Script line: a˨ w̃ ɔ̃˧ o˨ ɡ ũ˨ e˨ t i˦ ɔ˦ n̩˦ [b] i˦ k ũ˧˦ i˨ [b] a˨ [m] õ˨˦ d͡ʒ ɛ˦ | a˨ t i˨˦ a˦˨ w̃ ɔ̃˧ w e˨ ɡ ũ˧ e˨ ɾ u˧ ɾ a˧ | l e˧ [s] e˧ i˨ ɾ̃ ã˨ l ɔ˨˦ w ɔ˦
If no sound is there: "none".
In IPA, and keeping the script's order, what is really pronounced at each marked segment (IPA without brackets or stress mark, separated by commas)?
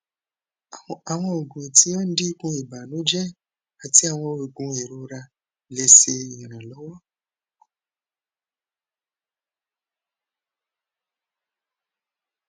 d, b, n, s